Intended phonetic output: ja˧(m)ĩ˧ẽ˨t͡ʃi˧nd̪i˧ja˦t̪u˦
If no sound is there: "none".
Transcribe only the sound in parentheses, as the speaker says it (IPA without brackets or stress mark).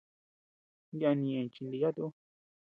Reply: n